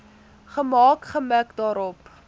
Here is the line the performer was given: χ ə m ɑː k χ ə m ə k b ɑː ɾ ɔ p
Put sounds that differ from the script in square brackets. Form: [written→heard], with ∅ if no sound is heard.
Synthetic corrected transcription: χ ə m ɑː k χ ə m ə k [b→d] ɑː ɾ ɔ p